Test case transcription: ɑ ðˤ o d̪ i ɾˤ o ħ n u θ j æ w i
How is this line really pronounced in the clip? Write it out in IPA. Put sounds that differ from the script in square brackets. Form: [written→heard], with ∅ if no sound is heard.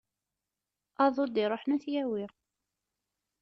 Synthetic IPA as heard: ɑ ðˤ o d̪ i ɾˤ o ħ n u θ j æ w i

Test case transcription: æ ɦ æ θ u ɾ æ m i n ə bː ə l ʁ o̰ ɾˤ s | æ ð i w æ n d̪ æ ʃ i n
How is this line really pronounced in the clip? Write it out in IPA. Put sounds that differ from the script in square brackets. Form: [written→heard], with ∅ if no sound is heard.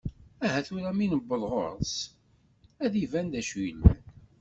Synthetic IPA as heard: æ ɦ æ θ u ɾ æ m i n ə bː ə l ʁ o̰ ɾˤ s | æ ð i [w→v] æ n d̪ æ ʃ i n

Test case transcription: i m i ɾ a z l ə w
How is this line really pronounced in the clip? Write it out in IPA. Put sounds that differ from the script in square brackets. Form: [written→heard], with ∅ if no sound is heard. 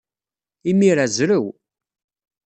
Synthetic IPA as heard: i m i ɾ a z [l→ɾ] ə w

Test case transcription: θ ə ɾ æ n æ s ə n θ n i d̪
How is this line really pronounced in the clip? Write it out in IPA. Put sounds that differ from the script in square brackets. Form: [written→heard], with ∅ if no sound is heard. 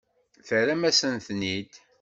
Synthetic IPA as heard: θ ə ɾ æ [n→m] æ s ə n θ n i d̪

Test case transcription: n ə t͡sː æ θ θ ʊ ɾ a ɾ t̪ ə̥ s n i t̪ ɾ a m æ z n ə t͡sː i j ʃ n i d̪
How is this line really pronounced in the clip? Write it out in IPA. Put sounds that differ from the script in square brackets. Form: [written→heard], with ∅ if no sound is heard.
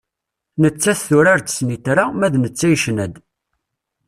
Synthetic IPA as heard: n ə t͡sː æ θ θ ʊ ɾ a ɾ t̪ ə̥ s n i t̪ ɾ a m æ [z→ð] n ə t͡sː [i→æ] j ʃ n [i→æ] d̪

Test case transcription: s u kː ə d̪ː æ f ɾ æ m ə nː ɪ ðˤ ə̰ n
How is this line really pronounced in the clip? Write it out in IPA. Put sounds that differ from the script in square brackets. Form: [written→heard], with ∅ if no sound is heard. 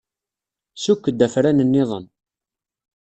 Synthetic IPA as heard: s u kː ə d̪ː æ f ɾ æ [m→n] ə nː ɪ ðˤ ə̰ n

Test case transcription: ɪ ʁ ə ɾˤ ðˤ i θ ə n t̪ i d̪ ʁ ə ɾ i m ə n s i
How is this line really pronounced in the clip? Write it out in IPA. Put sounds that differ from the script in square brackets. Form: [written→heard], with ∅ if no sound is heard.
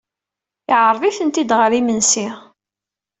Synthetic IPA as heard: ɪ [ʁ→ʕ] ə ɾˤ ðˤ i θ ə n t̪ i d̪ ʁ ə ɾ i m ə n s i

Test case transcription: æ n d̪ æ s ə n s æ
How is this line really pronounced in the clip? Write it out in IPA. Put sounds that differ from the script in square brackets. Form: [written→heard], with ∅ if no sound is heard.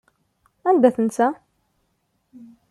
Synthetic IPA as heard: æ n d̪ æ [s→θ] ə n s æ

